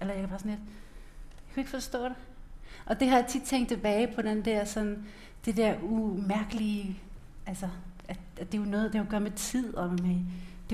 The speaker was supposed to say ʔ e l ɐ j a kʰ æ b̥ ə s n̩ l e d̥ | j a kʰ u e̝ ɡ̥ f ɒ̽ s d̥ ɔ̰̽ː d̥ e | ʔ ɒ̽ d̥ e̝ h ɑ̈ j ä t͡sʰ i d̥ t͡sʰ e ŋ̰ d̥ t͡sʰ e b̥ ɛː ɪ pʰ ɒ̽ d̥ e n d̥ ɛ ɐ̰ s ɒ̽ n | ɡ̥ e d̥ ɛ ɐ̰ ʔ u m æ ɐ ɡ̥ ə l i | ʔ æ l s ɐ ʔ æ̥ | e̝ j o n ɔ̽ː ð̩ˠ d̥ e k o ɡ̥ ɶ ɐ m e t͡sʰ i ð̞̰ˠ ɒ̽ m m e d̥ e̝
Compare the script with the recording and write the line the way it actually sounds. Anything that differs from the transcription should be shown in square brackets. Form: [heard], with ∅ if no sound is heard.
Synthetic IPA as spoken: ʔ e l ɐ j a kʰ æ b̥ [ɑ] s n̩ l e d̥ | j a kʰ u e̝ ɡ̥ f ɒ̽ s d̥ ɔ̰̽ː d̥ e | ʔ ɒ̽ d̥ e̝ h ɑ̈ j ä t͡sʰ i d̥ t͡sʰ e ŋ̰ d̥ t͡sʰ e b̥ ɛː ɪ pʰ ɒ̽ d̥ e n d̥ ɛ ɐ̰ s ɒ̽ n | [d̥] e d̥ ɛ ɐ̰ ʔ u m æ ɐ ɡ̥ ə l i | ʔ æ l s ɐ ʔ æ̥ | e̝ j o n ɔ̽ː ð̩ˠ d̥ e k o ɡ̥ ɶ ɐ m e t͡sʰ i ð̞̰ˠ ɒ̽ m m e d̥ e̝